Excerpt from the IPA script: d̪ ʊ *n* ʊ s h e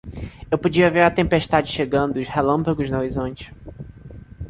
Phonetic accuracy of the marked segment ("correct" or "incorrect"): incorrect